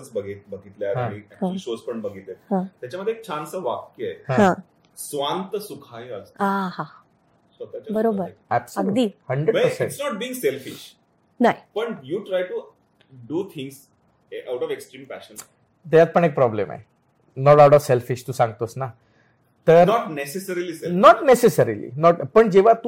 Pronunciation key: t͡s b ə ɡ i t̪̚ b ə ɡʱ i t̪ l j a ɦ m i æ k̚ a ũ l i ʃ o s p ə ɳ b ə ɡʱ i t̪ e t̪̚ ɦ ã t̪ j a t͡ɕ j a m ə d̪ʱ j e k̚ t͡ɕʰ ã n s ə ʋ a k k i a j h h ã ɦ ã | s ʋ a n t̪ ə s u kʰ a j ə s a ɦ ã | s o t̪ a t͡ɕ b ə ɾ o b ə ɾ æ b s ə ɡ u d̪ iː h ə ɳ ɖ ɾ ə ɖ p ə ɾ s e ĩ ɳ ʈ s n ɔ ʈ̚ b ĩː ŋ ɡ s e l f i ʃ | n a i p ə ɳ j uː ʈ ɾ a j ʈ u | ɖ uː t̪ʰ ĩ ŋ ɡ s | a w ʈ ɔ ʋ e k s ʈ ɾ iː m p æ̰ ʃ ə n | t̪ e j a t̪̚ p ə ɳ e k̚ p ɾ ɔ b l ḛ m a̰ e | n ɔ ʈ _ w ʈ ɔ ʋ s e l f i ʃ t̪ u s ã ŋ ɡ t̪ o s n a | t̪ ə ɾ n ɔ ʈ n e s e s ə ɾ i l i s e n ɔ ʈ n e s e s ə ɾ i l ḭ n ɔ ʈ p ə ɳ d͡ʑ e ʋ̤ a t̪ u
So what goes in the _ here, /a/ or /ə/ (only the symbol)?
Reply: a